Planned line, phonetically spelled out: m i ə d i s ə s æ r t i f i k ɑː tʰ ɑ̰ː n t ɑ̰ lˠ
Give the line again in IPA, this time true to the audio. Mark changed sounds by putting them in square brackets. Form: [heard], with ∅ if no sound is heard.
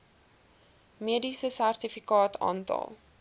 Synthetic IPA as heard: m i ə d i s ə s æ r t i f i k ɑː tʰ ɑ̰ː n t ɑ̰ lˠ